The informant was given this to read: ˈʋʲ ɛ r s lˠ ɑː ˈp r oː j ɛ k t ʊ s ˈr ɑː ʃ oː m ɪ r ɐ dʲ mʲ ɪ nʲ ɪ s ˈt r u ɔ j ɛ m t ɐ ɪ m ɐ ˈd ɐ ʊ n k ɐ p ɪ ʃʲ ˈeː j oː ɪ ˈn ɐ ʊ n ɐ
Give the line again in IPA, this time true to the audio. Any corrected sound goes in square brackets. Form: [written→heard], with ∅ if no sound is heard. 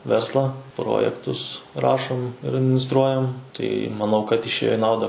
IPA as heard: ˈʋʲ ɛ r s lˠ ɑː ˈp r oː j ɛ k t ʊ s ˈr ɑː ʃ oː m ɪ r ɐ dʲ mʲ ɪ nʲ ɪ s ˈt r u ɔ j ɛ m t ɐ ɪ m ɐ [ˈd→ˈn] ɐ ʊ [n→∅] k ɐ [p→t] ɪ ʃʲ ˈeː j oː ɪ ˈn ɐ ʊ [n→d] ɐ

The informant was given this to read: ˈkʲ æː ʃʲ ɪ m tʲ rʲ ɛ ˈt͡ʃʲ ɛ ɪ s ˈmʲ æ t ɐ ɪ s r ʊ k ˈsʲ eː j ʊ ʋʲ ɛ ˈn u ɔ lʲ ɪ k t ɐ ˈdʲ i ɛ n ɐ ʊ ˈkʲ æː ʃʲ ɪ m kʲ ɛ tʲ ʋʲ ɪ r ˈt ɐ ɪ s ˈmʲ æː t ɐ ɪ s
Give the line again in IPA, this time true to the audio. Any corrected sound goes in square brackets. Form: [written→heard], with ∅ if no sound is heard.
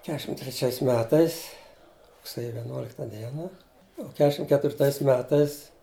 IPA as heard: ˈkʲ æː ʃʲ ɪ m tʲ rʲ ɛ ˈt͡ʃʲ ɛ ɪ s ˈmʲ [æ→æː] t ɐ ɪ s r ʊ k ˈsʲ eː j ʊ ʋʲ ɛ ˈn u ɔ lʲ ɪ k t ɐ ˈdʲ i ɛ n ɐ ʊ ˈkʲ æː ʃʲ ɪ m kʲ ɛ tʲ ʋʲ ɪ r ˈt ɐ ɪ s ˈmʲ æː t ɐ ɪ s

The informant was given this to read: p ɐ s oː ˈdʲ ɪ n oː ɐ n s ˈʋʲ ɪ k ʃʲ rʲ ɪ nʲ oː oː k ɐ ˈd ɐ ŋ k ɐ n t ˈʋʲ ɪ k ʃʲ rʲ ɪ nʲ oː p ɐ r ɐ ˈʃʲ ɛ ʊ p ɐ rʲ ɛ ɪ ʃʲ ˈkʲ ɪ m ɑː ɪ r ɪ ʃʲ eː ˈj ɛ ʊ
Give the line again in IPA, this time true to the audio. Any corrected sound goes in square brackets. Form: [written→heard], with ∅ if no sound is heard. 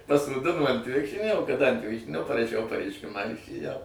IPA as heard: p ɐ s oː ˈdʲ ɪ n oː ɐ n [s→t] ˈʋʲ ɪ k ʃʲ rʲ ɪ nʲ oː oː k ɐ ˈd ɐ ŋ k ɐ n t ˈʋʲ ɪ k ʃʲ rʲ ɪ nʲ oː p ɐ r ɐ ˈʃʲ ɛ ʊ p ɐ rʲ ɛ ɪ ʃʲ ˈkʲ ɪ m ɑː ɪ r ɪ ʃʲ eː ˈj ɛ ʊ

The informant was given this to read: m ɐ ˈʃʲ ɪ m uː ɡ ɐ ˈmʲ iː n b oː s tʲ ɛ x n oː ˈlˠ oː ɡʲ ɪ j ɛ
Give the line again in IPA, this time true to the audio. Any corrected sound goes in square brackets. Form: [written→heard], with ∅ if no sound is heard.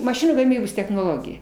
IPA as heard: m ɐ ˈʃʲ ɪ [m→n] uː ɡ ɐ ˈmʲ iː [n→∅] b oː s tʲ ɛ x n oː ˈlˠ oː ɡʲ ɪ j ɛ

